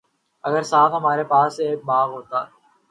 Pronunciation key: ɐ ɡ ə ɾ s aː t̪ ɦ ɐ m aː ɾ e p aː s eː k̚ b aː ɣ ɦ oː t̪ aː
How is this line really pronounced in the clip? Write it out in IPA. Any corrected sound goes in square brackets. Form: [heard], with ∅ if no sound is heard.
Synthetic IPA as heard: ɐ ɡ ə ɾ s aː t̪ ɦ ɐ m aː ɾ e p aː s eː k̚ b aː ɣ ɦ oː t̪ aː